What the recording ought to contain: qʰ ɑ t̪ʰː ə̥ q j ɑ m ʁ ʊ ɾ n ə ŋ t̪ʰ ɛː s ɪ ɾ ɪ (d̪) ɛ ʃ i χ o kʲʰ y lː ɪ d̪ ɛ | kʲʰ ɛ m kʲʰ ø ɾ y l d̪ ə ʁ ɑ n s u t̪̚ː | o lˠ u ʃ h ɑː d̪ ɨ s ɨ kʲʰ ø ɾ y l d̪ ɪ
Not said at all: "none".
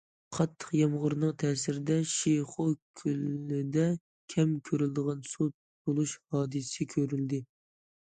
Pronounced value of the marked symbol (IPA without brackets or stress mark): d̪